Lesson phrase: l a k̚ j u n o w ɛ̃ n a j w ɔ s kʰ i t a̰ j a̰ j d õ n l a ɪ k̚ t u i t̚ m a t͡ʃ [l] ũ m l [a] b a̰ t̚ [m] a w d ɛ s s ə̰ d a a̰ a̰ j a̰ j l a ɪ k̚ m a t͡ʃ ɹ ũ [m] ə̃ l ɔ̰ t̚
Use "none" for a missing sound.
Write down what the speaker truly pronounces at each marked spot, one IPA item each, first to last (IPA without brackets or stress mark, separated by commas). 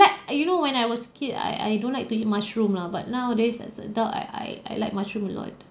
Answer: ɹ, a, n, m